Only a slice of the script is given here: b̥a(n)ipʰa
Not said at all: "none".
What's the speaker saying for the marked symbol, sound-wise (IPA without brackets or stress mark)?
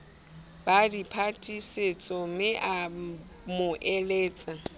d